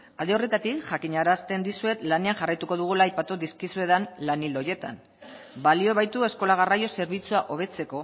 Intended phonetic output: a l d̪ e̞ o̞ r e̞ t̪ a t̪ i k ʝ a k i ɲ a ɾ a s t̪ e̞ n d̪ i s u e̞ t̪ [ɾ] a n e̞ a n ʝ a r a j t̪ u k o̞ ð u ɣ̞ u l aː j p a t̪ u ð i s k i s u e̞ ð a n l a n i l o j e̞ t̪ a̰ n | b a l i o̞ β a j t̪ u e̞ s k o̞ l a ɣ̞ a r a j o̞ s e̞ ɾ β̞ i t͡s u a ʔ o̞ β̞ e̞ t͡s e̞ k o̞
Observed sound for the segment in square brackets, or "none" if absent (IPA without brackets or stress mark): l